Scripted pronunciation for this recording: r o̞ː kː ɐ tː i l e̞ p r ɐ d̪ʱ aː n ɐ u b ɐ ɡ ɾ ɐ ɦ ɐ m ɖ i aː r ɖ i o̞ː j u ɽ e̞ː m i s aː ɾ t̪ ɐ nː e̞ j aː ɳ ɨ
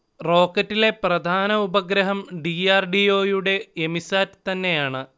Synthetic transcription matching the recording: r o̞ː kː ɐ tː i l e̞ p r ɐ d̪ʱ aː n ɐ u b ɐ ɡ ɾ ɐ ɦ ɐ m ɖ i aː r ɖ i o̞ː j u ɽ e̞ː m i s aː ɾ t̪ ɐ nː e̞ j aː ɳ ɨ